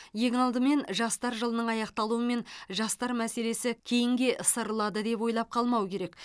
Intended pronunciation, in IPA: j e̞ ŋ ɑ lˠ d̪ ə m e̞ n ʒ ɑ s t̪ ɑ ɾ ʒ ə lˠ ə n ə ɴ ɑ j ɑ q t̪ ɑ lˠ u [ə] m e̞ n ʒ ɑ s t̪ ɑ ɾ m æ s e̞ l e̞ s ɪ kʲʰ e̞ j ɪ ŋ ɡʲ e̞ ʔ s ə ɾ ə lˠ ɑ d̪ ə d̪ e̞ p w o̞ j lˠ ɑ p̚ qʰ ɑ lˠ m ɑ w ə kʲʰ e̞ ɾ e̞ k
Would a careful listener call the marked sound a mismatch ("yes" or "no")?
no